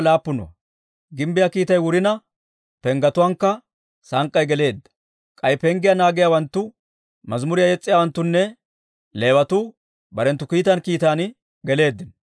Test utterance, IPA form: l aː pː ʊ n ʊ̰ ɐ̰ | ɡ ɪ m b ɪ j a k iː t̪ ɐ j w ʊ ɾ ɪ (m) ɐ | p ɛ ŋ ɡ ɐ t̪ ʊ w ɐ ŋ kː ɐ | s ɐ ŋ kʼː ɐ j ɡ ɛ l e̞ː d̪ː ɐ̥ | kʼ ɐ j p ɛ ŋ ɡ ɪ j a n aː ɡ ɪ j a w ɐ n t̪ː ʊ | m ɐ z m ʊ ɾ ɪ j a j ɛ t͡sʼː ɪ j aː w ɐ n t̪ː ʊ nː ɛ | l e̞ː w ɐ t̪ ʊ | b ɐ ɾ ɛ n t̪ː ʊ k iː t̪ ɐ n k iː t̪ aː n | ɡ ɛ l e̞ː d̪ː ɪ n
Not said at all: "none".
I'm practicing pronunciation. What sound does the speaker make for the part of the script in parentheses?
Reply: n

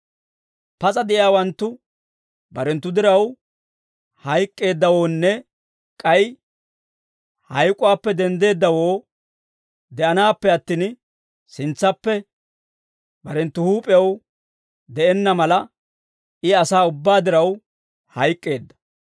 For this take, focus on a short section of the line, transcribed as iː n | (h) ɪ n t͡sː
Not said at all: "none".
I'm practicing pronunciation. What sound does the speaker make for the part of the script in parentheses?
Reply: s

